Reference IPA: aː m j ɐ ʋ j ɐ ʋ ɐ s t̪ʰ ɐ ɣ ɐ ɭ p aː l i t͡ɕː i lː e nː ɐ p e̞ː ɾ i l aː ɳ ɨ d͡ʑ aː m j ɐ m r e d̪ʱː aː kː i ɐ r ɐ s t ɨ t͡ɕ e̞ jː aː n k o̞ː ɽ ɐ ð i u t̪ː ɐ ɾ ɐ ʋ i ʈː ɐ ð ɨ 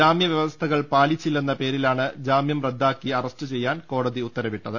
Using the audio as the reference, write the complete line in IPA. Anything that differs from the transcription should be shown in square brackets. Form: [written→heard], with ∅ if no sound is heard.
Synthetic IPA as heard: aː m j ɐ ʋ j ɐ ʋ ɐ s t̪ʰ ɐ ɣ ɐ ɭ p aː l i t͡ɕː i lː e nː ɐ p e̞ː ɾ i l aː ɳ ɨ d͡ʑ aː m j ɐ m r e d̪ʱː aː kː i ɐ r ɐ s t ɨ t͡ɕ e̞ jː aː n k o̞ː ɽ ɐ ð i u t̪ː ɐ ɾ ɐ ʋ i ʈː ɐ ð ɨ